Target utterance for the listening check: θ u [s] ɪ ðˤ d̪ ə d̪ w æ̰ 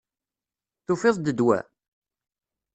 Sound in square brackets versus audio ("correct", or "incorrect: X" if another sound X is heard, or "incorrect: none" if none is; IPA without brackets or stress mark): incorrect: f